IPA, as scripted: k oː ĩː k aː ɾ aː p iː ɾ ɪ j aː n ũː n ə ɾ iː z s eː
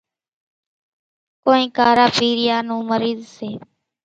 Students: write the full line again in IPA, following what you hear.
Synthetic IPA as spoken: k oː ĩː k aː ɾ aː p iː ɾ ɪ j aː n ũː m ə ɾ iː z s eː